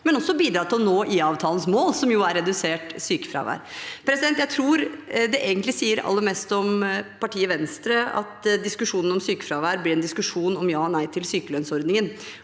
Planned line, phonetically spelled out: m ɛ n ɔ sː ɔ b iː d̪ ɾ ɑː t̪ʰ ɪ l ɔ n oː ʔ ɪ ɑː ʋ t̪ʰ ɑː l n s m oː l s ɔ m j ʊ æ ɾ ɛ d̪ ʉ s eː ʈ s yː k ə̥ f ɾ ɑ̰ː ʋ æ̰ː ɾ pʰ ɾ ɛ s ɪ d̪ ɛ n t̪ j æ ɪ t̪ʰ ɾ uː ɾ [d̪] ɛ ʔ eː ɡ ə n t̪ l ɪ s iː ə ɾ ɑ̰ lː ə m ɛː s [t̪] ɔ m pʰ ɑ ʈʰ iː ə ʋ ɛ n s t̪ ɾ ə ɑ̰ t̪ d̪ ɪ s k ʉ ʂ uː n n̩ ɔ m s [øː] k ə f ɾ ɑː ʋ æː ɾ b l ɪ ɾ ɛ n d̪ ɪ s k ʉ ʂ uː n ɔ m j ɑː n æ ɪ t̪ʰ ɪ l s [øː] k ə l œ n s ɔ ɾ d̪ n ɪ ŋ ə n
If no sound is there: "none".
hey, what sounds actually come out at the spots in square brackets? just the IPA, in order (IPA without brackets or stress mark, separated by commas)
d̪, t̪, yː, yː